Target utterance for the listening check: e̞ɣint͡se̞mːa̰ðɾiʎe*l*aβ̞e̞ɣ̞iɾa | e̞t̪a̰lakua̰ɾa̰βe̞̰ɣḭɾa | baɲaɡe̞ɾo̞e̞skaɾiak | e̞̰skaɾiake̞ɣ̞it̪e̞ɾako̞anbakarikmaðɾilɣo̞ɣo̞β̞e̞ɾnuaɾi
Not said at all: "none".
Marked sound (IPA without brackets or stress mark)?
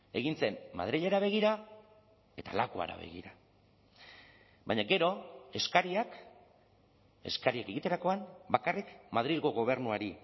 ɾ